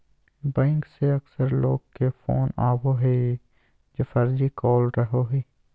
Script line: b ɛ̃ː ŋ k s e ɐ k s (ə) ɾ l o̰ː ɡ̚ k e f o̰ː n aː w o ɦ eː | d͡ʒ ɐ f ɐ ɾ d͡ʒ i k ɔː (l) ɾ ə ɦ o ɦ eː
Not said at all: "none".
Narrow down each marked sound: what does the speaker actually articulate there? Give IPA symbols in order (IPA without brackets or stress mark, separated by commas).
ə, l